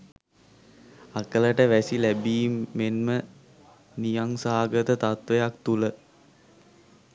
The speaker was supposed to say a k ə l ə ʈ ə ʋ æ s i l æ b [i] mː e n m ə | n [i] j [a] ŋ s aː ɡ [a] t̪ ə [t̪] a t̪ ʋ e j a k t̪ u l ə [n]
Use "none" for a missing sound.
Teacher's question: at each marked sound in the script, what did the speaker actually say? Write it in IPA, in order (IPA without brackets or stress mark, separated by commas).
iː, i, a, ə, t̪, none